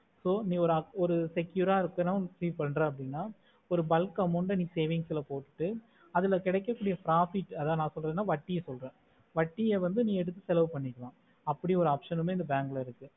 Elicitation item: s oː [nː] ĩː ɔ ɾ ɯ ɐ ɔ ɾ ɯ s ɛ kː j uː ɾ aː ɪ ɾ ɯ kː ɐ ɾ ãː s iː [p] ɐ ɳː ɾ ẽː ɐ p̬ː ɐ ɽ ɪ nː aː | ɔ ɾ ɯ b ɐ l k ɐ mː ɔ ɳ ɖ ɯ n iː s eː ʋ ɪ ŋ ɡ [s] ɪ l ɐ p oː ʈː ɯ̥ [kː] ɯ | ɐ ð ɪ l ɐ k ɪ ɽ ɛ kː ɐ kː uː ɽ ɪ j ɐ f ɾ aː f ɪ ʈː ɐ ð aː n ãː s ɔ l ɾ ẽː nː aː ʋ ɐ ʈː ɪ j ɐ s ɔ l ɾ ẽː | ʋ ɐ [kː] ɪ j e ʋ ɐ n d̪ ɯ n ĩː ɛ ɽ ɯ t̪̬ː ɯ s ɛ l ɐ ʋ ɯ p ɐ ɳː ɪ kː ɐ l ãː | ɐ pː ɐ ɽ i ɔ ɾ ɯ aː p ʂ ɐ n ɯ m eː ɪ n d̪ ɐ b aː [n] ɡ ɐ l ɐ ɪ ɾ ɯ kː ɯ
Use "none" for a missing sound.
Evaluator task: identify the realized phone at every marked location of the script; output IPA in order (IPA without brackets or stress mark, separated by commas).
n, p, s, ʈː, ʈː, ŋ